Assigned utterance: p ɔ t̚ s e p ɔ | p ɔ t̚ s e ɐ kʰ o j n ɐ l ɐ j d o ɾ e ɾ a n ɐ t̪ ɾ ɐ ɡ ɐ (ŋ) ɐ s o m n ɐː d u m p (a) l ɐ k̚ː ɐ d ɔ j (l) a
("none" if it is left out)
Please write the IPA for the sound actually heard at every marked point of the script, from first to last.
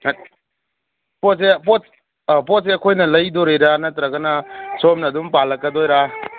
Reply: n, a, ɾ

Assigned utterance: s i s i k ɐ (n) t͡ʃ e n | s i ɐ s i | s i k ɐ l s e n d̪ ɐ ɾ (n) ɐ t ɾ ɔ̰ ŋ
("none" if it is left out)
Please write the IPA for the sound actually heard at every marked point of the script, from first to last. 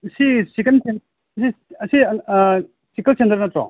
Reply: n, n

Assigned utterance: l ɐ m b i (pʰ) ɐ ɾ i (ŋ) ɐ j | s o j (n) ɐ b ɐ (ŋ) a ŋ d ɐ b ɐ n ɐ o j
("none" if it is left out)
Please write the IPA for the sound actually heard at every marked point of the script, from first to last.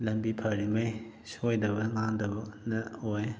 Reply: pʰ, m, d, ŋ

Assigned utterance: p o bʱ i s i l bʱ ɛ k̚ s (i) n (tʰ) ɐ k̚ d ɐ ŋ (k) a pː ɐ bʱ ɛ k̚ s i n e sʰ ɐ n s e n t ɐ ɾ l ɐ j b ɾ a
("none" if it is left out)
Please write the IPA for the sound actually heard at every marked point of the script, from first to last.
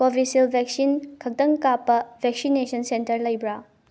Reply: i, kʰ, k

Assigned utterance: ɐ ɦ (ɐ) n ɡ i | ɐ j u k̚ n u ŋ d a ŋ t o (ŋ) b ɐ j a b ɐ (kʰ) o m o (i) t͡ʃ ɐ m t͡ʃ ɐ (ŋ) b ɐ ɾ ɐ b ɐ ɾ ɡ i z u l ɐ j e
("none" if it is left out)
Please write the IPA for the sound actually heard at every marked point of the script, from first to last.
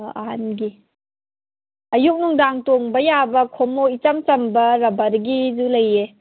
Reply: a, ŋ, kʰ, i, m

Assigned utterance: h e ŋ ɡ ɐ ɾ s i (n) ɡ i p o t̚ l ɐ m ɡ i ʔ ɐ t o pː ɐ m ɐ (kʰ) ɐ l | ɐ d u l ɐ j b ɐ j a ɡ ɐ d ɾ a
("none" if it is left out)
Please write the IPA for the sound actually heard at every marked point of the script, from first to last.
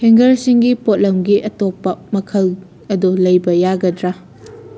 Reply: ŋ, kʰ

